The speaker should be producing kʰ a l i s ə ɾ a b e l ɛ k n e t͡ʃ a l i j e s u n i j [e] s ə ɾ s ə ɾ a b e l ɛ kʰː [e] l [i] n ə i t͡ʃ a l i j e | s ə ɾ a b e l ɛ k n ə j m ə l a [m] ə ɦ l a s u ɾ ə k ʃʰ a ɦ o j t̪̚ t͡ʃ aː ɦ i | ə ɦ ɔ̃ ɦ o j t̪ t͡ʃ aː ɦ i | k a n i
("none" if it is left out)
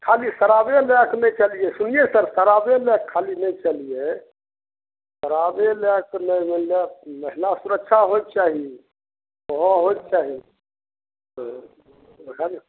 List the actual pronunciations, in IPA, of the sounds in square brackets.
e, a, i, m

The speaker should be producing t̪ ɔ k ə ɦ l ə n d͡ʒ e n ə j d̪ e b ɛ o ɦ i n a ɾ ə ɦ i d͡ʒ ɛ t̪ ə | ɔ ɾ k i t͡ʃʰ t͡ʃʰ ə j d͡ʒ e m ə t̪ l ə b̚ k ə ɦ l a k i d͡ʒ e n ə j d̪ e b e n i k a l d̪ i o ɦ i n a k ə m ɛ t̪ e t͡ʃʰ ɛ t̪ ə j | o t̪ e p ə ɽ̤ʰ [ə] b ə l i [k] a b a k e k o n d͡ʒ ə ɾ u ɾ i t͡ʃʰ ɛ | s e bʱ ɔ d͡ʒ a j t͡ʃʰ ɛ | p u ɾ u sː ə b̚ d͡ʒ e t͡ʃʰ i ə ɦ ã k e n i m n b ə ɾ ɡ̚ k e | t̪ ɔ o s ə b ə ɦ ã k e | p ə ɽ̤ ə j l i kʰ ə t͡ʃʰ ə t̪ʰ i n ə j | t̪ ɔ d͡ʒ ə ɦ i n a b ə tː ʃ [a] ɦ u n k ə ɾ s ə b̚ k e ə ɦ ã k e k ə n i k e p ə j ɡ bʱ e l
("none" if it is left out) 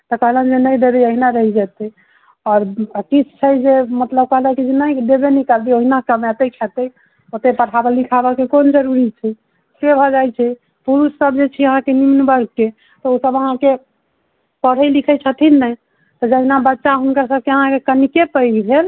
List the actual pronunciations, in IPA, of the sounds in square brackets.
a, kʰ, a

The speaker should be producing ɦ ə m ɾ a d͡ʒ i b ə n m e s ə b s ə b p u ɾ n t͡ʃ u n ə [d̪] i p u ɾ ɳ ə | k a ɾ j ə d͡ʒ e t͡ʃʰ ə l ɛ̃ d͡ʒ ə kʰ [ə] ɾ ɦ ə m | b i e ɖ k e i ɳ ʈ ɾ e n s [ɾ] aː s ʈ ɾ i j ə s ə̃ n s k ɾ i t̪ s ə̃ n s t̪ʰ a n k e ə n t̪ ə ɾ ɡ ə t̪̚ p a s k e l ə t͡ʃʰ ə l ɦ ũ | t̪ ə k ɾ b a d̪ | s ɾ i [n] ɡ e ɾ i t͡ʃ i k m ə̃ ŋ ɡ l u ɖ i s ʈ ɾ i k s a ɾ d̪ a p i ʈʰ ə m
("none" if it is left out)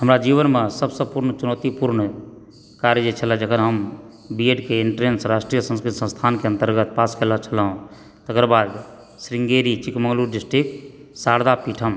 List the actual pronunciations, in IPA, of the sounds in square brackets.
t̪, ə, ɾ, ŋ

